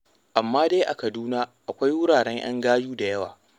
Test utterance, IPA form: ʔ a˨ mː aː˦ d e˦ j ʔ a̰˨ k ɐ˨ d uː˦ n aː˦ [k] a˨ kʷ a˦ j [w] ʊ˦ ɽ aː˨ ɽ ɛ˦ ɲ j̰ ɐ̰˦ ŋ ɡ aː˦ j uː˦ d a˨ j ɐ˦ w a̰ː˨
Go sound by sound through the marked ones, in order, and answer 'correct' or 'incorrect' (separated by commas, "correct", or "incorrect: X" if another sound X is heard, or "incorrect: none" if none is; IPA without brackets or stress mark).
incorrect: ʔ, correct